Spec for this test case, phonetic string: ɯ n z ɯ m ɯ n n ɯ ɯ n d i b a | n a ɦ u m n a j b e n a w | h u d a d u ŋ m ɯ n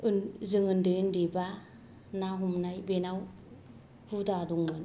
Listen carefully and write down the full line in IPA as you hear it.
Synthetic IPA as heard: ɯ n z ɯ ŋ ɯ n d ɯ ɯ n d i b a | n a ɦ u m n a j b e n a w | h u d a d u ŋ m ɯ n

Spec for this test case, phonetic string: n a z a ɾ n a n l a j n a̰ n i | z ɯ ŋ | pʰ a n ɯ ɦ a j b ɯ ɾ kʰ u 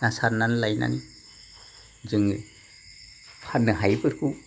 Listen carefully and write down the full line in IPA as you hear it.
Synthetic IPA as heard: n a s a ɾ n a n l a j n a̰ n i | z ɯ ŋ | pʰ a n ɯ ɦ a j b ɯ ɾ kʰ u

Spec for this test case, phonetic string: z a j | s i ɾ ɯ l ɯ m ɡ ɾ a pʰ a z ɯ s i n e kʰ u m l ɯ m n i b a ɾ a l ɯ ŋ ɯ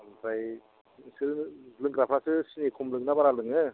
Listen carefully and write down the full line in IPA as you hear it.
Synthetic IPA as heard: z a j | s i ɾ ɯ l ɯ ŋ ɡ ɾ a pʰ a s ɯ s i n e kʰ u m l ɯ ŋ n a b a ɾ a l ɯ ŋ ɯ

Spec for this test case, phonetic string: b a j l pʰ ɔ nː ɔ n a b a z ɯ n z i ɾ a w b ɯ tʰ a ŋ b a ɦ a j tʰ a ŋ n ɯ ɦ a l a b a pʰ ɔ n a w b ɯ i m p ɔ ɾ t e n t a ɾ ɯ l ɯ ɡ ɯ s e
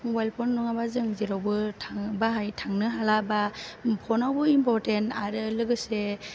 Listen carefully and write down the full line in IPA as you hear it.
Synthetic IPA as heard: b a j l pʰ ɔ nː ɔ ŋ a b a z ɯ ŋ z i ɾ a w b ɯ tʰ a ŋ b a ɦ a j tʰ a ŋ n ɯ ɦ a l a b a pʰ ɔ n a w b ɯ i m p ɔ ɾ t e n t a ɾ ɯ l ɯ ɡ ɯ s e

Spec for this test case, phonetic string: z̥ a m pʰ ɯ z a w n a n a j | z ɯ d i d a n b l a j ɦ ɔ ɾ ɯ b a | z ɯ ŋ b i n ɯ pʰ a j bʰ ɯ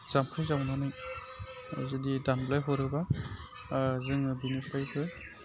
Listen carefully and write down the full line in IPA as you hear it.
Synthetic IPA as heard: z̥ a m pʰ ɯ z a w n a n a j | z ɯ d i d a n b l a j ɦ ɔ ɾ ɯ b a | z ɯ ŋ b i n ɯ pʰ a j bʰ ɯ

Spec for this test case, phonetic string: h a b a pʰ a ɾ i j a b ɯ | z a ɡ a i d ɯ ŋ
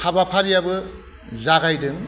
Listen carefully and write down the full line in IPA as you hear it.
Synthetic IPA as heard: h a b a pʰ a ɾ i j a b ɯ | z a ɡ a j d ɯ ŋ

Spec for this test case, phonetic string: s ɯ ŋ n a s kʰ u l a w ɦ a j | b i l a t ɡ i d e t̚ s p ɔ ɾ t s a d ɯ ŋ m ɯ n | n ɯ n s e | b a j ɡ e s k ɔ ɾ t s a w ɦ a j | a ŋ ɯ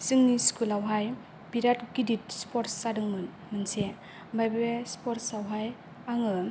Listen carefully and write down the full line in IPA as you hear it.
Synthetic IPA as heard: s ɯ ŋ n i s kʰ u l a w ɦ a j | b i ɾ a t ɡ i d i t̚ s p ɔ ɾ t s a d ɯ ŋ m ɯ n | m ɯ n s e | b a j b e s p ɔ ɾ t s a w ɦ a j | a ŋ ɯ

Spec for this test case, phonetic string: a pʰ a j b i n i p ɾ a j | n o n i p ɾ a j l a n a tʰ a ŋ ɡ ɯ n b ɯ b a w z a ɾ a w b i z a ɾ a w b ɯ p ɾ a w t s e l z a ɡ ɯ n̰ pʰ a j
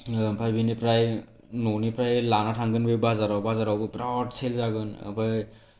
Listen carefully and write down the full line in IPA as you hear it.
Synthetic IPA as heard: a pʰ a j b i n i p ɾ a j | n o n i p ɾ a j l a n a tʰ a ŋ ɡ ɯ n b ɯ b a z a ɾ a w b a z a ɾ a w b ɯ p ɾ a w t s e l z a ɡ ɯ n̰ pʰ a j

